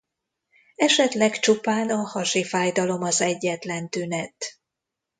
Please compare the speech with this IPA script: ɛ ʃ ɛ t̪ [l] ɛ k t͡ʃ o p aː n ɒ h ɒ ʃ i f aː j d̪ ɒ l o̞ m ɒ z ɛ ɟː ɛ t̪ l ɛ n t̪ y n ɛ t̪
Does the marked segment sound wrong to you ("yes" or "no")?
no